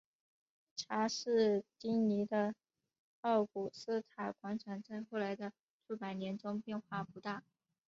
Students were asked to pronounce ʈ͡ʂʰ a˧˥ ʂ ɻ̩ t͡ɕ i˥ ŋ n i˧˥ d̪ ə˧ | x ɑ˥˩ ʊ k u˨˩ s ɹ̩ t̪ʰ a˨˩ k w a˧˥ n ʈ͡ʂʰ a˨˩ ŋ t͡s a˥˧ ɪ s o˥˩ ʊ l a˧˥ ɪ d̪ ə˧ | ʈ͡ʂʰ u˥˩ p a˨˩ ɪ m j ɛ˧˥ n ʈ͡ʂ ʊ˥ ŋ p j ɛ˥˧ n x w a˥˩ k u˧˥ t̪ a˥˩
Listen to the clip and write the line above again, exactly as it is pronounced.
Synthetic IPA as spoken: ʈ͡ʂʰ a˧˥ ʂ ɻ̩ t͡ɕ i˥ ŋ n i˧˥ d̪ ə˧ | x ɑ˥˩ ʊ k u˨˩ s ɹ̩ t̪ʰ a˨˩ k w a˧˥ n ʈ͡ʂʰ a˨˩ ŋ t͡s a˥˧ ɪ x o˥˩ ʊ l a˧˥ ɪ d̪ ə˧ | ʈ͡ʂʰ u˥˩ p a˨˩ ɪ n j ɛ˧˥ n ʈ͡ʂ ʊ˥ ŋ p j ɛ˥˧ n x w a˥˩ p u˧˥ t̪ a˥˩